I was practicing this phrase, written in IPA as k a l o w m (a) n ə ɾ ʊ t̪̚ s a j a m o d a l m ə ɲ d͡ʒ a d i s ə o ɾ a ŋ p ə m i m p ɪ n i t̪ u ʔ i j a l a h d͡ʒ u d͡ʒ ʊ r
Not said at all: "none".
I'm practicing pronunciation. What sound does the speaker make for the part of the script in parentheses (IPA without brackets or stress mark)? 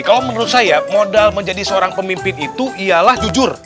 ə